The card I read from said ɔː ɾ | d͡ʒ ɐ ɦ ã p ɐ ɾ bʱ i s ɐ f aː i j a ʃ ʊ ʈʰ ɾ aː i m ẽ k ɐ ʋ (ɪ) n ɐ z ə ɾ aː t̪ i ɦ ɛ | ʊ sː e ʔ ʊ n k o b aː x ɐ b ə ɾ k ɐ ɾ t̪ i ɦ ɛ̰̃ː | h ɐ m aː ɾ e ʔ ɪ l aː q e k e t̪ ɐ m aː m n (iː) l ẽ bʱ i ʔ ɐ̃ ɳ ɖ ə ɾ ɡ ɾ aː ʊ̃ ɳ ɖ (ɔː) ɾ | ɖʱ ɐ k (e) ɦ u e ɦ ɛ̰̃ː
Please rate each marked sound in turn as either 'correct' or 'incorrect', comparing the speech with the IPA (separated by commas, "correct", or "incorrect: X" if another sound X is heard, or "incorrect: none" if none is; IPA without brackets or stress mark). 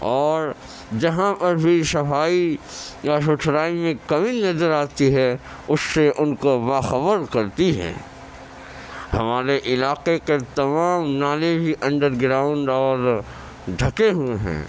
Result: incorrect: i, incorrect: aː, correct, correct